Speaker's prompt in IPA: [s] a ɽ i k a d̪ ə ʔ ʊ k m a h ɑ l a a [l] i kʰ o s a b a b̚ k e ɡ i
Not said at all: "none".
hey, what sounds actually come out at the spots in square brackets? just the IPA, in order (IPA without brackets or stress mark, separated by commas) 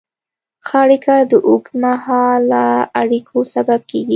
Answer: x, ɽ